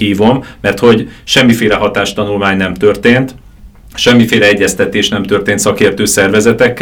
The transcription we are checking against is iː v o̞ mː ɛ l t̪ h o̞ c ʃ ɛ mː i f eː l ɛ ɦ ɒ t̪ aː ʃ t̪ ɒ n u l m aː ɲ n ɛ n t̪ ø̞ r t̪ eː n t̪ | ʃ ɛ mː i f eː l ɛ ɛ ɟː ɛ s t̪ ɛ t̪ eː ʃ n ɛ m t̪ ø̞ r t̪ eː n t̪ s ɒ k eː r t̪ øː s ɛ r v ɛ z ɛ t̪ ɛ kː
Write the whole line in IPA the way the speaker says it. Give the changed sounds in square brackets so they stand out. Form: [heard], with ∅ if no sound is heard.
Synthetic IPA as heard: iː v o̞ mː ɛ [r] t̪ h o̞ [ɟ] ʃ ɛ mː i f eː l ɛ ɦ ɒ t̪ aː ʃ t̪ ɒ n u l m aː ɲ n ɛ [m] t̪ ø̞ r t̪ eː n t̪ | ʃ ɛ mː i f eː l ɛ ɛ ɟː ɛ s t̪ ɛ t̪ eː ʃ n ɛ m t̪ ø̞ r t̪ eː n t̪ s ɒ k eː r t̪ øː s ɛ r v ɛ z ɛ t̪ ɛ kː